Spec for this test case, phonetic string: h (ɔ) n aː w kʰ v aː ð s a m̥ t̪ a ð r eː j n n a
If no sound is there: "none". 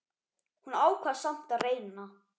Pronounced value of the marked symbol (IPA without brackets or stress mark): u